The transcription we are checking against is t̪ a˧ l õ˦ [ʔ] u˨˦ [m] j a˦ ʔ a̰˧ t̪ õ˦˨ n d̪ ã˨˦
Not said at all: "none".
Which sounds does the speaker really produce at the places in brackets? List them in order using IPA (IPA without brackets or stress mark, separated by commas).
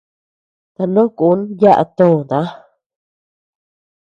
k, n